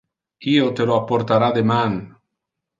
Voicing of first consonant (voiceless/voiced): voiceless